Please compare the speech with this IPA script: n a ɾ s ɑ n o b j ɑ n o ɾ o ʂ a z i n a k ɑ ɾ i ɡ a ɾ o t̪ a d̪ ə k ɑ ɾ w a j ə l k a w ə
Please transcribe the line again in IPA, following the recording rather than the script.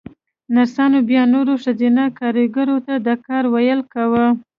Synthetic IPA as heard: n a ɾ s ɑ n o b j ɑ n o ɾ o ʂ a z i n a k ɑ ɾ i ɡ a ɾ o t̪ a d̪ ə k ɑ ɾ w a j ə l k a w ə